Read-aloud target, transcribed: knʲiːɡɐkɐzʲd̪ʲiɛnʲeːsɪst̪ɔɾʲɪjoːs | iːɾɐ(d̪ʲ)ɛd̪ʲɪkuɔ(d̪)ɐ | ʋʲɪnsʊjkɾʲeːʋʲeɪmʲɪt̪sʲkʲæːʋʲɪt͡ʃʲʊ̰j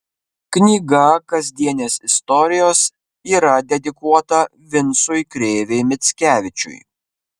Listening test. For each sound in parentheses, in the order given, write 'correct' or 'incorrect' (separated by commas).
correct, incorrect